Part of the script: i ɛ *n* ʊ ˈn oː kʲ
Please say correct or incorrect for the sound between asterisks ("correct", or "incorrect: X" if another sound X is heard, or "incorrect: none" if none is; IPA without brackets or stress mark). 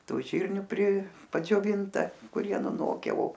correct